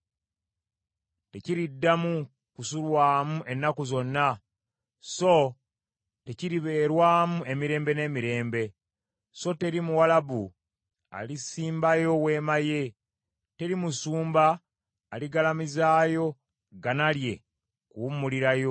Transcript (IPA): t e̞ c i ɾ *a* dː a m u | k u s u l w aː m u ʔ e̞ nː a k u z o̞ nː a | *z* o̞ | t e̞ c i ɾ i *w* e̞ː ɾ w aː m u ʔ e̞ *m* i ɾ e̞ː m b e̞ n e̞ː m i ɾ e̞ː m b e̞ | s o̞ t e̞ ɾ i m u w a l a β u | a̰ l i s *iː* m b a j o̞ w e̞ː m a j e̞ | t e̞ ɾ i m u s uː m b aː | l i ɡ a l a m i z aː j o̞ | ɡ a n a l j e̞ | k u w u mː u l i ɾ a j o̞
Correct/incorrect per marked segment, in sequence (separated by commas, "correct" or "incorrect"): incorrect, incorrect, incorrect, correct, correct